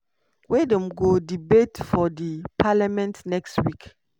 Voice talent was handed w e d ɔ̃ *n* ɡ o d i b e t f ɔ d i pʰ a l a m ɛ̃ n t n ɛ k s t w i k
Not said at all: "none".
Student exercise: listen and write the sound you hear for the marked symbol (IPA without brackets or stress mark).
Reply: m